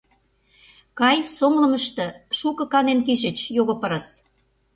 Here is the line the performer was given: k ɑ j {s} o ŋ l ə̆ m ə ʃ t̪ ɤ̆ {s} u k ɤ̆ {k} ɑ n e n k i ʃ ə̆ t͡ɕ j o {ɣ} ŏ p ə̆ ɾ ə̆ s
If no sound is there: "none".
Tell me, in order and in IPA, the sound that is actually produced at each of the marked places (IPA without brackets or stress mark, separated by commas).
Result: s, ʃ, k, ɣ